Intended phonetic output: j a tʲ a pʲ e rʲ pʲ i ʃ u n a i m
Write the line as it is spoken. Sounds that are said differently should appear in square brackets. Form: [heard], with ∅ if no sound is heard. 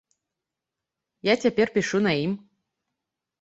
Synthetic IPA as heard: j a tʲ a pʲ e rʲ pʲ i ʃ u n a i m